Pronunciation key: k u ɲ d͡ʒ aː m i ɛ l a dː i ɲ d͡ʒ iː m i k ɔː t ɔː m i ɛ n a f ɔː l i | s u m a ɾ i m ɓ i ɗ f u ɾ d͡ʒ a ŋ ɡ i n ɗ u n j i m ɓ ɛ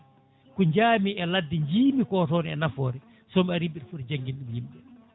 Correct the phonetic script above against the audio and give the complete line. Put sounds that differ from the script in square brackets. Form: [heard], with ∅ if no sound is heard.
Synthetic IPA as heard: k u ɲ d͡ʒ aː m i ɛ l a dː i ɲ d͡ʒ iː m i k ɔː t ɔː [n] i ɛ n a f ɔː [ɾ] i | s [ɔ] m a ɾ i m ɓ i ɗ f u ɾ d͡ʒ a ŋ ɡ i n ɗ u [m] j i m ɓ ɛ